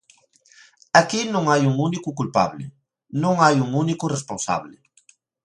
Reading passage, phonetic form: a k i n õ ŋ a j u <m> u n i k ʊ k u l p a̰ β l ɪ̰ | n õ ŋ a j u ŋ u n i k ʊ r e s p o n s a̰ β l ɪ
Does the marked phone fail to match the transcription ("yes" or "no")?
yes